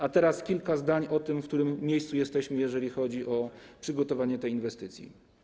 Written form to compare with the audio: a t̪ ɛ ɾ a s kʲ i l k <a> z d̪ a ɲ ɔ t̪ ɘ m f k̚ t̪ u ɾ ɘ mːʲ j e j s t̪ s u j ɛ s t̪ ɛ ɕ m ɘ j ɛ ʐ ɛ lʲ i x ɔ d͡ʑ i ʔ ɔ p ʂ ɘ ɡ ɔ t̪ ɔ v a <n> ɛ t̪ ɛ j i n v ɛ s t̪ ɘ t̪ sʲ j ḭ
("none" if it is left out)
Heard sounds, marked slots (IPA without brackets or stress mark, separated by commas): a, ɲ